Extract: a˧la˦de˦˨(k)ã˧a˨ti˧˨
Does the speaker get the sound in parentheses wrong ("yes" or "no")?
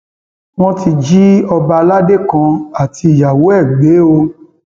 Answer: no